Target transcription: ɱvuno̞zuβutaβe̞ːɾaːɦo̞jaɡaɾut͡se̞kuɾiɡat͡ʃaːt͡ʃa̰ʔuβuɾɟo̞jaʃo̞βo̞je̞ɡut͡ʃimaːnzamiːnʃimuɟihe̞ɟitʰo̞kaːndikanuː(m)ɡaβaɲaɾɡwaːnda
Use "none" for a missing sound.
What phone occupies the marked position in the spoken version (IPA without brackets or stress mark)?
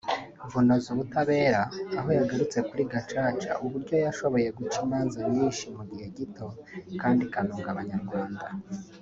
ŋ